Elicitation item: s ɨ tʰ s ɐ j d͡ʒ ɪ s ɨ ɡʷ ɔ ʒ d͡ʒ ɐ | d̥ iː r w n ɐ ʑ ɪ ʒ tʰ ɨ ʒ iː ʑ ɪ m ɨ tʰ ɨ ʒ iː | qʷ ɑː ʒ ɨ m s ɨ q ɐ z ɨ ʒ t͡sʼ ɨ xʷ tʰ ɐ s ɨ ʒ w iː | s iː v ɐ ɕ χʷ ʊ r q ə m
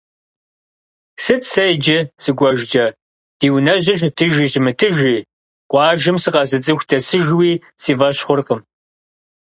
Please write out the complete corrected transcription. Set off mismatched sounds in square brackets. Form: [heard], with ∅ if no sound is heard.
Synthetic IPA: s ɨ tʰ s ɐ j d͡ʒ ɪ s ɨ ɡʷ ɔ ʒ d͡ʒ ɐ | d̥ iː [∅] w n ɐ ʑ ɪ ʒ tʰ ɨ ʒ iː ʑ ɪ m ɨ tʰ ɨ ʒ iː | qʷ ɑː ʒ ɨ m s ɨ q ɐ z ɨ [∅] t͡sʼ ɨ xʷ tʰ ɐ s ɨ ʒ w iː | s iː v ɐ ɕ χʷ ʊ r q ə m